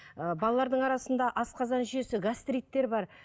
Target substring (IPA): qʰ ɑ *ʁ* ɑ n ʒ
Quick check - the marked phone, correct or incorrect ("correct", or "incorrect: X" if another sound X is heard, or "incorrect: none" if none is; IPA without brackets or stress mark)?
incorrect: z